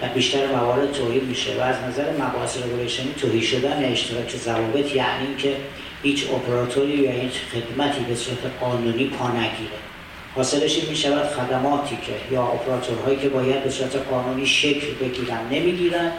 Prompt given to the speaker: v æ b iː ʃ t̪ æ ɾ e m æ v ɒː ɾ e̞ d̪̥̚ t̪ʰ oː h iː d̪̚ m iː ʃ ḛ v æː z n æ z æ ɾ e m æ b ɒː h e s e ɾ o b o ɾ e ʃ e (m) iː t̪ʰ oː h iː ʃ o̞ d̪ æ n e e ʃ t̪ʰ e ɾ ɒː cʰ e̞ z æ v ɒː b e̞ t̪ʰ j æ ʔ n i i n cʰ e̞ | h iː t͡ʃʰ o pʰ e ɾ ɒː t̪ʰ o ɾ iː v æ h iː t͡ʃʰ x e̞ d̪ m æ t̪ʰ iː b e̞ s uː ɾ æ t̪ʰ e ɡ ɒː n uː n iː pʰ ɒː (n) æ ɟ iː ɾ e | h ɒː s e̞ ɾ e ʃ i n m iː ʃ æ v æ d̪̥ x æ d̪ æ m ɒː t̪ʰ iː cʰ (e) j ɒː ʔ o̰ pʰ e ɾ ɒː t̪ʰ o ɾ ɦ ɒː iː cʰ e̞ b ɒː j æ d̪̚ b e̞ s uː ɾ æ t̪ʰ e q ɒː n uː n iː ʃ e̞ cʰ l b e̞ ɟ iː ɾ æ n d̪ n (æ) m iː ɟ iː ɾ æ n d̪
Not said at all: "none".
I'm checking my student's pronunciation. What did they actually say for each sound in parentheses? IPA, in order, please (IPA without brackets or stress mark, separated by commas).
n, n, e, e